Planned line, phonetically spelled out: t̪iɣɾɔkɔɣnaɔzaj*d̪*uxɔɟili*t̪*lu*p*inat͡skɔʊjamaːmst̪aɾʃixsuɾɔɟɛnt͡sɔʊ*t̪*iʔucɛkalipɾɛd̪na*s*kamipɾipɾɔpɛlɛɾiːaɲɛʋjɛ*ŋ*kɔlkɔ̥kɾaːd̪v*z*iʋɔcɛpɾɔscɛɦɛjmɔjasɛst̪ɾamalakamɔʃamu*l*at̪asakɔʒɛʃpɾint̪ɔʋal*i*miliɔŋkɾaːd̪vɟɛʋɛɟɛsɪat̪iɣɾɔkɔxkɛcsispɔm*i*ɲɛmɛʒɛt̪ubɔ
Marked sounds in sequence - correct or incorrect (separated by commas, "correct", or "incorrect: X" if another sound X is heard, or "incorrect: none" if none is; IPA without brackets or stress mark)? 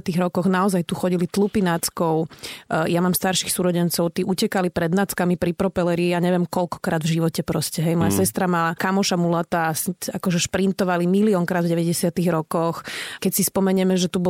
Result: incorrect: t̪, correct, correct, correct, incorrect: t͡s, incorrect: m, incorrect: ʒ, correct, correct, incorrect: ɛ